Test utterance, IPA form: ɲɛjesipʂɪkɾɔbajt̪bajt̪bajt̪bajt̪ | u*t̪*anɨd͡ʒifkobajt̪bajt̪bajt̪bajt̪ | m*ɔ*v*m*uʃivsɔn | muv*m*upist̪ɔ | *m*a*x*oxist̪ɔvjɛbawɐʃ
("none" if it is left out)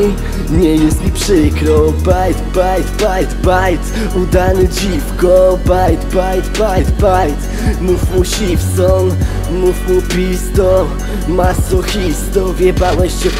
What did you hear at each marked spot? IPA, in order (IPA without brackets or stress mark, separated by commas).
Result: d̪, u, m, m, m, s